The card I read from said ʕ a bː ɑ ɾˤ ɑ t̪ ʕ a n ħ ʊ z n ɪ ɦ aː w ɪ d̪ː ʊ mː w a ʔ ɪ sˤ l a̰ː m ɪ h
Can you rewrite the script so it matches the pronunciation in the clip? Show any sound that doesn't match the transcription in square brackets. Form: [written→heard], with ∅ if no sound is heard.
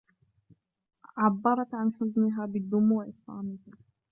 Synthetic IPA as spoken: ʕ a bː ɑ ɾˤ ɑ t̪ ʕ a n ħ ʊ z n ɪ ɦ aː [w→b] ɪ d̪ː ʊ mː w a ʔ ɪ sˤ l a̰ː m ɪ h